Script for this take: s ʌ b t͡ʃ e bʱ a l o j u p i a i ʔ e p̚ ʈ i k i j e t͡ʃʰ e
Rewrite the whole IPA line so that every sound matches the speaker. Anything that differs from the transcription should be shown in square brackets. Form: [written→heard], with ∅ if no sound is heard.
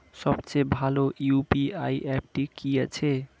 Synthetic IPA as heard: s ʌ b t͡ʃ e bʱ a l o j u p i a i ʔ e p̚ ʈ i k i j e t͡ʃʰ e